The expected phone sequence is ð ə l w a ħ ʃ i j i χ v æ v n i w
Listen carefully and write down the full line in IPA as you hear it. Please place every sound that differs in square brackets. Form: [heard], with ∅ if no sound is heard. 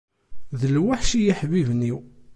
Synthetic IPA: ð ə l w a ħ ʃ i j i [ħ] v [i] v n i w

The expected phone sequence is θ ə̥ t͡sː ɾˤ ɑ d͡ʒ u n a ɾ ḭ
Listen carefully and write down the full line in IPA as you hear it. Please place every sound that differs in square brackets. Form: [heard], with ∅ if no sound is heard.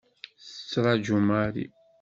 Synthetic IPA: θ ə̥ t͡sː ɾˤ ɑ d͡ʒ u [m] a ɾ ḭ

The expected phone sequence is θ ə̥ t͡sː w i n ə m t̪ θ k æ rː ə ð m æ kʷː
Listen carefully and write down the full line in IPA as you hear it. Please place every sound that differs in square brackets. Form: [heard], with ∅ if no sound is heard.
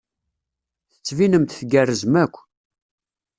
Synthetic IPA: θ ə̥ t͡sː [v] i n ə m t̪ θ [ɡ] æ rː ə [z] m æ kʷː

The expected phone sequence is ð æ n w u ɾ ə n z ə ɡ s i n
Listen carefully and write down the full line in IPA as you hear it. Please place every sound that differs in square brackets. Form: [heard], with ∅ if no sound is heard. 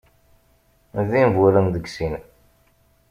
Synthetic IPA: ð [i] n [v] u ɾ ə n [ð] ə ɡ s i n

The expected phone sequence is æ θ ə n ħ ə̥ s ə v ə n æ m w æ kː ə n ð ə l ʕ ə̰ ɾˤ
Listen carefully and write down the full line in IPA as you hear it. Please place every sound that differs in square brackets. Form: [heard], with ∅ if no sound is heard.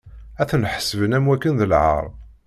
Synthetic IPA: æ θ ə n ħ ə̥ s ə v ə n æ m w æ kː ə n ð ə l ʕ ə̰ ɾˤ

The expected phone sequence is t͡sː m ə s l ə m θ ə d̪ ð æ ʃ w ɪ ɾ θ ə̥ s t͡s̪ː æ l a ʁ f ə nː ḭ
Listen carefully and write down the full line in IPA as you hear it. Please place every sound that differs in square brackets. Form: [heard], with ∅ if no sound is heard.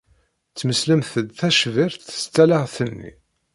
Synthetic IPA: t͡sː m ə s l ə m θ ə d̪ [θ] æ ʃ [v] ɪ ɾ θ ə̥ s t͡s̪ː æ l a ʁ [θ] ə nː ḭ

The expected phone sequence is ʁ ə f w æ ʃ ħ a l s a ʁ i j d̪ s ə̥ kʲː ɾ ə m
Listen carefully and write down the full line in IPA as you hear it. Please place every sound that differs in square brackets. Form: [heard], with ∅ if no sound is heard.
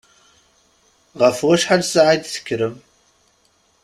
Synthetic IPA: ʁ ə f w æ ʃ ħ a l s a [ʕ] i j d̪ [θ] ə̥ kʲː ɾ ə m

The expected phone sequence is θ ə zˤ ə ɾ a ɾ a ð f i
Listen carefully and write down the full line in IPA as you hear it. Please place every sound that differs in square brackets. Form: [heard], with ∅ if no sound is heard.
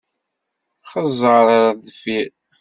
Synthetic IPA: [χ] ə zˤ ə ɾ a ɾ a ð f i

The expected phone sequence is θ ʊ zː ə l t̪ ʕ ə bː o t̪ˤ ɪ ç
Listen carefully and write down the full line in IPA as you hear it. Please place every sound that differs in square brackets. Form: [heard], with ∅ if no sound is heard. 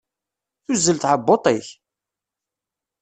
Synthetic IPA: θ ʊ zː ə l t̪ ʕ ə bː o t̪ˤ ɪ ç

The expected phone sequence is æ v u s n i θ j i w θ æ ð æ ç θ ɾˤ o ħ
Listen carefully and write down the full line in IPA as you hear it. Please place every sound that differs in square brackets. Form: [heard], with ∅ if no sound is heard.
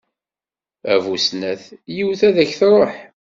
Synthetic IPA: æ v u s n [æ] θ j i w θ æ ð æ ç θ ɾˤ o ħ

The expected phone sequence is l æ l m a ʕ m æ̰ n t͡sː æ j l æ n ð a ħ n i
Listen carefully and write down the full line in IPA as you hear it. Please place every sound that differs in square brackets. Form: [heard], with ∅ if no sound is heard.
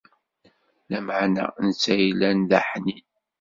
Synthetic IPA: l æ [∅] m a ʕ [n] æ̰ n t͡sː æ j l æ n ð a ħ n i

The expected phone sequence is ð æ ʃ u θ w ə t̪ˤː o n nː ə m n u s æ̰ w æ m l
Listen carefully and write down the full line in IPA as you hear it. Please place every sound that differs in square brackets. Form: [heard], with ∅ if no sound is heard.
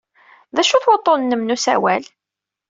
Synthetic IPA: ð æ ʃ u θ w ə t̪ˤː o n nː ə m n u s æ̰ w æ [∅] l

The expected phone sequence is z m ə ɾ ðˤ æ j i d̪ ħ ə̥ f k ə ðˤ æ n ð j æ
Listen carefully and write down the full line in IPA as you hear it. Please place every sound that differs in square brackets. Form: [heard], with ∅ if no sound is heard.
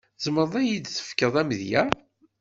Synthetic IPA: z m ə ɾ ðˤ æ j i d̪ [θ] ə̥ f k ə ðˤ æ [m] ð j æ

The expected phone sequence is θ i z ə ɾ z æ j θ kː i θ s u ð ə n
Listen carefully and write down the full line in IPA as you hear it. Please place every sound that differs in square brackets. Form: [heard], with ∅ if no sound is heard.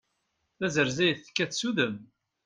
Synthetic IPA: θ [æ] z ə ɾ z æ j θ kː [æ] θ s u ð ə [m]

